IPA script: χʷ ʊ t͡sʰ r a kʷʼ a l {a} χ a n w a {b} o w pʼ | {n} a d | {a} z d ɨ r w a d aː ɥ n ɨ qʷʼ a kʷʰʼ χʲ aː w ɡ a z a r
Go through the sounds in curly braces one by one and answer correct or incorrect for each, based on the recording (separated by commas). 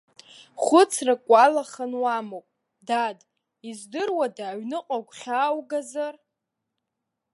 correct, incorrect, incorrect, incorrect